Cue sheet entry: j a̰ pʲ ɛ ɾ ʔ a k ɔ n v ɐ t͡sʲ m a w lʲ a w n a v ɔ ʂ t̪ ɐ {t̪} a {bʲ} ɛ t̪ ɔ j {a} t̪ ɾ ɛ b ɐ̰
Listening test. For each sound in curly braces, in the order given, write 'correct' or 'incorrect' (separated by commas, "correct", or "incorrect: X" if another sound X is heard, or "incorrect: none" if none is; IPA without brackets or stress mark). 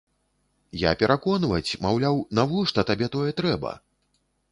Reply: correct, correct, incorrect: ɛ